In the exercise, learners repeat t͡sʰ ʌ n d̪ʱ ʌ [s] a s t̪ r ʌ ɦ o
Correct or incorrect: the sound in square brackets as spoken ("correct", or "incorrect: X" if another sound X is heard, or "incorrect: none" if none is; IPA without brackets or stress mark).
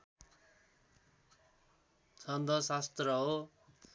correct